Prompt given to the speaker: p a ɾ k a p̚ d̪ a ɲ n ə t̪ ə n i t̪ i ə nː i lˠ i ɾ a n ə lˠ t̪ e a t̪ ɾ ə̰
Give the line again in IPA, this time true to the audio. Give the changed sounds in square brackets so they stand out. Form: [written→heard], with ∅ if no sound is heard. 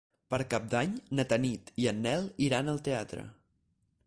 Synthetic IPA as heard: p [a→ə] ɾ k a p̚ d̪ a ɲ n ə t̪ ə n i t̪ i ə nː [i→ɛ] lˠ i ɾ a n ə lˠ t̪ e a t̪ ɾ ə̰